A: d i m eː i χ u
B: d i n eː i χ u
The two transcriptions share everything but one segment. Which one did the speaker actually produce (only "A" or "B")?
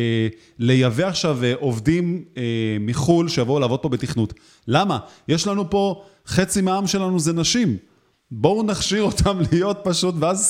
A